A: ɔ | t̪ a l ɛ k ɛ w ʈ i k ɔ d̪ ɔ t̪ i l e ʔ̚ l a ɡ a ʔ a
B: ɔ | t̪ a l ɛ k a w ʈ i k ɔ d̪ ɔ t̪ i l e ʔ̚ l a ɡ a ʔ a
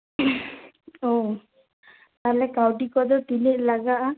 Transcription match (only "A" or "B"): B